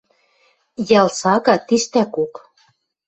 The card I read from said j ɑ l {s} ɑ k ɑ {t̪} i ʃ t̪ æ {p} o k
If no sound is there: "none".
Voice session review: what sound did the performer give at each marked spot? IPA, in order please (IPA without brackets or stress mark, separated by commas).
s, t̪, k